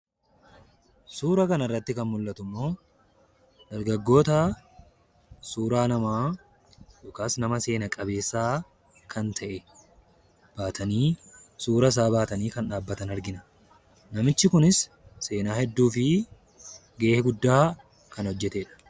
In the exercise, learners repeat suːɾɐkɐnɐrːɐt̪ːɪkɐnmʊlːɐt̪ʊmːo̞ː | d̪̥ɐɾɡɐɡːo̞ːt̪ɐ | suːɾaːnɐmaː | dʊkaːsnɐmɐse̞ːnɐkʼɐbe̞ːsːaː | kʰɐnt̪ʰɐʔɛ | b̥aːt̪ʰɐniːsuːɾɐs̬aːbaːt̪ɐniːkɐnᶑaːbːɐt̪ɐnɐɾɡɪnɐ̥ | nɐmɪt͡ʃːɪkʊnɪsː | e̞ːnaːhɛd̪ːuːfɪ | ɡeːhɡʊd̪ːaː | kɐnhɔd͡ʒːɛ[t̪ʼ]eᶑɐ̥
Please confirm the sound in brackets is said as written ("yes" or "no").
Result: no